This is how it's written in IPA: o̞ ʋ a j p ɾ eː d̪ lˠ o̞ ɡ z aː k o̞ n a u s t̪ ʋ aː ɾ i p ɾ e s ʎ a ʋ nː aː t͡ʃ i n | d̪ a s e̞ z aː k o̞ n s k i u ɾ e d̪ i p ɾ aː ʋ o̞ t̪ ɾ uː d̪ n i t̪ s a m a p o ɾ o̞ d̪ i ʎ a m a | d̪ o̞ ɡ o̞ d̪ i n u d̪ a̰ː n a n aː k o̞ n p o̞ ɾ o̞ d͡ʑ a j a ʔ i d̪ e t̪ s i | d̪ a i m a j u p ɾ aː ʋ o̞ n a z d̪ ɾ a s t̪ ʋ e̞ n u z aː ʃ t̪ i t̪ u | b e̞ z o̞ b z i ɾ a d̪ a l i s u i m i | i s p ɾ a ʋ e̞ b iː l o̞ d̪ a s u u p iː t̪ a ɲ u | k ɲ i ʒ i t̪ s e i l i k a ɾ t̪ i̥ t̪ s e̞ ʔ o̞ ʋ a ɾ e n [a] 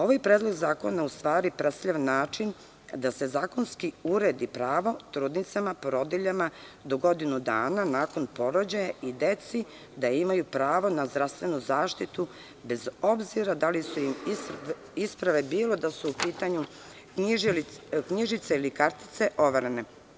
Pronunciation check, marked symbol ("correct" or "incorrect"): incorrect